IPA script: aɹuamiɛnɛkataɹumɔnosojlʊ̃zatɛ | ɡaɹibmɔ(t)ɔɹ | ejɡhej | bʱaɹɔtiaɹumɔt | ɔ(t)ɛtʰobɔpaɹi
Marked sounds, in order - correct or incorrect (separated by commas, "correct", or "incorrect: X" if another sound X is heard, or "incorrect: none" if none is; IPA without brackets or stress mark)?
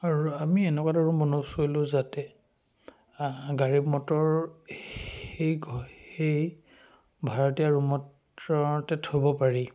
correct, correct